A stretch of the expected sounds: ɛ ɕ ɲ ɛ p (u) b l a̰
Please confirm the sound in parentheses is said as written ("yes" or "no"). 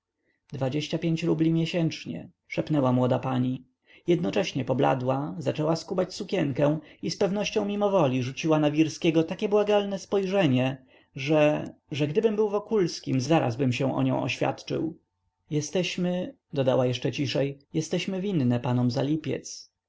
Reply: no